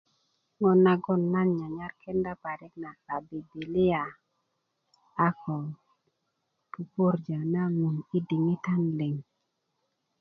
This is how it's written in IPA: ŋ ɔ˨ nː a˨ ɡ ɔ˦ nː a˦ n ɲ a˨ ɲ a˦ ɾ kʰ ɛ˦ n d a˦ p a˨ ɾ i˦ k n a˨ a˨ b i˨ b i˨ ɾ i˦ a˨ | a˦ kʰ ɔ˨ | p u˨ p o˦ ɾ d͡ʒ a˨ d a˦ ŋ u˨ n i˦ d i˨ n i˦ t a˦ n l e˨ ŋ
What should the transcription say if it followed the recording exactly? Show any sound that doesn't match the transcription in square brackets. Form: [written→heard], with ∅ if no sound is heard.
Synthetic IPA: ŋ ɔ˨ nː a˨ ɡ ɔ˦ nː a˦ n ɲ a˨ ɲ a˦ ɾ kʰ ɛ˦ n d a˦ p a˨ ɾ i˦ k n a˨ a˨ b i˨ b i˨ [ɾ→l] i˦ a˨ | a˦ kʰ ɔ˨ | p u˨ p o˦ ɾ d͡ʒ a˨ [d→n] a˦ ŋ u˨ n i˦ d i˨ [n→ŋ] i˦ t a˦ n l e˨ ŋ